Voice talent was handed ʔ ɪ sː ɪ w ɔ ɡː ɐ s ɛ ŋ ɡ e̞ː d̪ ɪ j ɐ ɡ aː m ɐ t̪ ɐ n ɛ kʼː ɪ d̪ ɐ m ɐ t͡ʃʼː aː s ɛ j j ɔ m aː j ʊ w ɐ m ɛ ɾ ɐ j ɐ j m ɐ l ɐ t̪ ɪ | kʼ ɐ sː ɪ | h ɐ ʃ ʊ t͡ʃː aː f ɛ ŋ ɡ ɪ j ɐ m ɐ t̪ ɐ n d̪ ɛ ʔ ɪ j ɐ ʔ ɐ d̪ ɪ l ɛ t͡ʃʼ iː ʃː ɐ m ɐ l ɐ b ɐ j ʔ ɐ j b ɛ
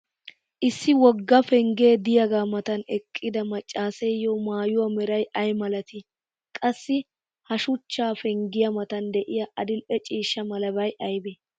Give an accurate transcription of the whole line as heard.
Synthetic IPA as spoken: ʔ ɪ sː ɪ w ɔ ɡː ɐ f ɛ ŋ ɡ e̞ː d̪ ɪ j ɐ ɡ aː m ɐ t̪ ɐ n ɛ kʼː ɪ d̪ ɐ m ɐ t͡ʃʼː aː s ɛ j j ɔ m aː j ʊ w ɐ m ɛ ɾ ɐ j ɐ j m ɐ l ɐ t̪ ɪ | kʼ ɐ sː ɪ | h ɐ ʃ ʊ t͡ʃː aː f ɛ ŋ ɡ ɪ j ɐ m ɐ t̪ ɐ n d̪ ɛ ʔ ɪ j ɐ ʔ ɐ d̪ ɪ l ɛ t͡ʃʼ iː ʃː ɐ m ɐ l ɐ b ɐ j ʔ ɐ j b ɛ